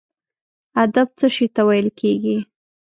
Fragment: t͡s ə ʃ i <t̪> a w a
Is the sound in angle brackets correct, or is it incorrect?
correct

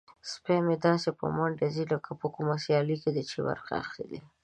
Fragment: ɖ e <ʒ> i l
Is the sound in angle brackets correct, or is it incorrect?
incorrect: z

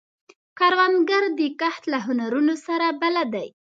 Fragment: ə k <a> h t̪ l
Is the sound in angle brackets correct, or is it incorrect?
correct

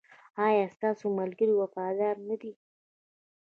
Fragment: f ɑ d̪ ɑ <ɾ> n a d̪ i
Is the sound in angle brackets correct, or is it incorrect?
correct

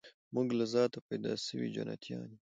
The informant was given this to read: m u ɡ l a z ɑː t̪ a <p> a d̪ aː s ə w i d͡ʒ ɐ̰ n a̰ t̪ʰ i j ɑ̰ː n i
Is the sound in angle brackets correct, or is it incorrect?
correct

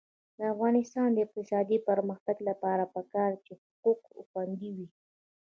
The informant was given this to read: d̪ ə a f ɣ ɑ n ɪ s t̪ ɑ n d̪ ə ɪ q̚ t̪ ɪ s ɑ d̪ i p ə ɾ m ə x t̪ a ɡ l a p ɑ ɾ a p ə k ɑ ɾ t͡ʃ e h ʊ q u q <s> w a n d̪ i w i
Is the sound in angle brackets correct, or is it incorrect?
incorrect: x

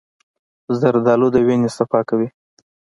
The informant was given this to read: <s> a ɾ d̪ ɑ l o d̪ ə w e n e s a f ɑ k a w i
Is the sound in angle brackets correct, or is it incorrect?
incorrect: z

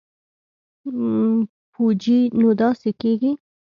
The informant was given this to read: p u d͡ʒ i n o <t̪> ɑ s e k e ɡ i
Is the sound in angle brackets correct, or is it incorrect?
incorrect: d̪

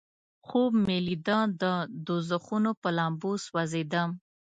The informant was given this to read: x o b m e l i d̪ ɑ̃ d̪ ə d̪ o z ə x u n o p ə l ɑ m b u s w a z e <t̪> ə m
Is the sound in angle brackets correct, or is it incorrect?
incorrect: d̪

